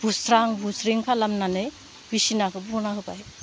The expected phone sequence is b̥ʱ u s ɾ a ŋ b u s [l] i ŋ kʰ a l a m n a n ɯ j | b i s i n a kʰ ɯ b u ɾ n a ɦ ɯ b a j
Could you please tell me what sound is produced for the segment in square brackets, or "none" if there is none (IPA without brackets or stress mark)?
ɾ